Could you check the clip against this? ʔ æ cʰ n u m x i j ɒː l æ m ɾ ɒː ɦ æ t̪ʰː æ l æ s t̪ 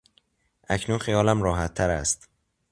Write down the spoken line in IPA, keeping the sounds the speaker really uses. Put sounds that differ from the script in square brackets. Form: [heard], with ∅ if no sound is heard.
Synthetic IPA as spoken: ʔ æ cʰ n u [n] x i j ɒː l æ m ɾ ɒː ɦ æ t̪ʰː æ [ɾ] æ s t̪